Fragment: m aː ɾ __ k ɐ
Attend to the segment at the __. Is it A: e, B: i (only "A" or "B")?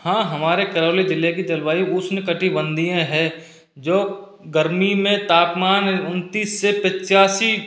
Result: A